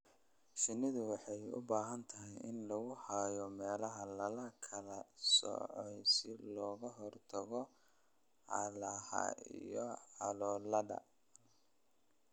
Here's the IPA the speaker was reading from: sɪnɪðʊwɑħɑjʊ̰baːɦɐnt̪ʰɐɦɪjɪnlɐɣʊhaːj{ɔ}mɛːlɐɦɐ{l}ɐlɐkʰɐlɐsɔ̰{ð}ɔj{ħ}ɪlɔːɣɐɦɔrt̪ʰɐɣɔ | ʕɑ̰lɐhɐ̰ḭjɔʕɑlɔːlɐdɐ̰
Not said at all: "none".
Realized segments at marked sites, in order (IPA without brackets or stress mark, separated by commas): ɔ, l, ʕ, s